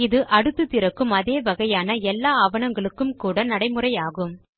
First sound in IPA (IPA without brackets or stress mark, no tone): ɪ